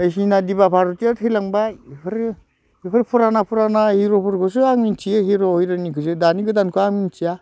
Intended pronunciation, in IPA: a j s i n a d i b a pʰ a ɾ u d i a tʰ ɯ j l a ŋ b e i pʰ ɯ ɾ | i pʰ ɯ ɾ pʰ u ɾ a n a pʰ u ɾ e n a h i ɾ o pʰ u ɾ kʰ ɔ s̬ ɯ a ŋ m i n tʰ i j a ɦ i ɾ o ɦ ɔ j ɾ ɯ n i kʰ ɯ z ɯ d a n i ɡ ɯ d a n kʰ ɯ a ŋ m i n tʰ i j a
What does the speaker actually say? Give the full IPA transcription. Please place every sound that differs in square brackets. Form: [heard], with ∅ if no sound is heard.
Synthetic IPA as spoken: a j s i n a d i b a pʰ a ɾ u [t] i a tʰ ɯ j l a ŋ b [a] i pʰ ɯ ɾ | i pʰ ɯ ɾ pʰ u ɾ a n a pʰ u ɾ [a] n a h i ɾ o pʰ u ɾ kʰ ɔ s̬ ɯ a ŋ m i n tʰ i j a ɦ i ɾ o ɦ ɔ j ɾ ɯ n i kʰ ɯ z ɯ d a n i ɡ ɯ d a n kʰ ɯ a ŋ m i n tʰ i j a